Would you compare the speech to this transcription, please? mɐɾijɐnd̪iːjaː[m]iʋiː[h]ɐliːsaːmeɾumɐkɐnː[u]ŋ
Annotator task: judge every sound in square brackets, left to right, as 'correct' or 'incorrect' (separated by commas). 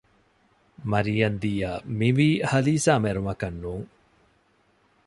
correct, correct, incorrect